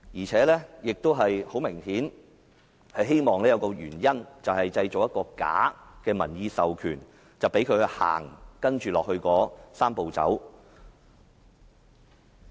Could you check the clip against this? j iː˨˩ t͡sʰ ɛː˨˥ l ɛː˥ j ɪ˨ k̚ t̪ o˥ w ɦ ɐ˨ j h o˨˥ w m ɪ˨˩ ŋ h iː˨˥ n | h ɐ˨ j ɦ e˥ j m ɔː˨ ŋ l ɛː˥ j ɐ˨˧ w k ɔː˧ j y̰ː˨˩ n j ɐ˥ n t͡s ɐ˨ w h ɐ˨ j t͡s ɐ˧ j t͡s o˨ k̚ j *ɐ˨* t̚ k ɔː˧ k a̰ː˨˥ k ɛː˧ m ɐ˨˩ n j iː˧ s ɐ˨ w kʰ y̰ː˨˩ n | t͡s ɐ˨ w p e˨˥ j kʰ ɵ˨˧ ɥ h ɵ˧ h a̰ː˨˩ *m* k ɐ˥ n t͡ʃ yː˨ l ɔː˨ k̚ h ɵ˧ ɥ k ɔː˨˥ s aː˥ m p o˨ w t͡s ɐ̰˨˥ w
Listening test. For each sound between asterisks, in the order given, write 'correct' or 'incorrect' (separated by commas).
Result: incorrect, incorrect